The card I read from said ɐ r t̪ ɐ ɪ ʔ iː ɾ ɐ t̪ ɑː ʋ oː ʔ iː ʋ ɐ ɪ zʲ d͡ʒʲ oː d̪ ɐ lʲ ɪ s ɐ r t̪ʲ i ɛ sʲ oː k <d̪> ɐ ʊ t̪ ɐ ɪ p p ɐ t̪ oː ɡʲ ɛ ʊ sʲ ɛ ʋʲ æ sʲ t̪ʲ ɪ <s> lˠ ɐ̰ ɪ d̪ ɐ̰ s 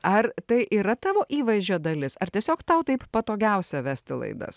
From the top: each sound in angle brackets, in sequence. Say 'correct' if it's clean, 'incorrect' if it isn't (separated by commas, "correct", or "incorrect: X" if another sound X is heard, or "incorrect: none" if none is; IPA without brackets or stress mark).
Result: incorrect: t̪, incorrect: none